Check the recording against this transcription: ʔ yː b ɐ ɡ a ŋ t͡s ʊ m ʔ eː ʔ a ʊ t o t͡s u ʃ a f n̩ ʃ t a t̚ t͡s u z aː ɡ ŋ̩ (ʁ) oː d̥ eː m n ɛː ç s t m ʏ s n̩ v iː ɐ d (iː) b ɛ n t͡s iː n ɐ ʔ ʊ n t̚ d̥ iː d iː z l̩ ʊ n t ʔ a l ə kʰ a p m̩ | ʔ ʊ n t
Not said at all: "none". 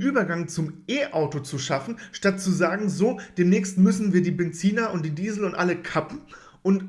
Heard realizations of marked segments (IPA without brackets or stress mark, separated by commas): z, iː